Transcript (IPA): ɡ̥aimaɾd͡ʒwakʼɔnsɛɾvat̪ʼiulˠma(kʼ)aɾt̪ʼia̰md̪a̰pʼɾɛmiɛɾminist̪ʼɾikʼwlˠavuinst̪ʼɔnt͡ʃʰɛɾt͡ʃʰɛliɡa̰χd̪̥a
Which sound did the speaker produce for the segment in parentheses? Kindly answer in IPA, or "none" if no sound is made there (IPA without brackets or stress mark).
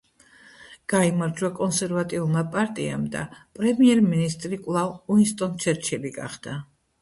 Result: pʼ